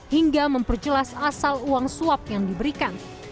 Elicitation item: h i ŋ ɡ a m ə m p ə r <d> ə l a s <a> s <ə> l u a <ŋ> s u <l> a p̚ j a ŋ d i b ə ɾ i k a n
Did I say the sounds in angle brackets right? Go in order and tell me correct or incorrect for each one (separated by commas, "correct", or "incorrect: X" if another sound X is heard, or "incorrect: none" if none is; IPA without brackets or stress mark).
incorrect: d͡ʒ, correct, incorrect: a, correct, incorrect: none